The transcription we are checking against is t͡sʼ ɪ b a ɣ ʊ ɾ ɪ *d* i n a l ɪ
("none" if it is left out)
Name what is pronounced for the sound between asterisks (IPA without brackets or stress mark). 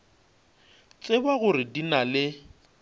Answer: d